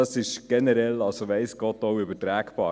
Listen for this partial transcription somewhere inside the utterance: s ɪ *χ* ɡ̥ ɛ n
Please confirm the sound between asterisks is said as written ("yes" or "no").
no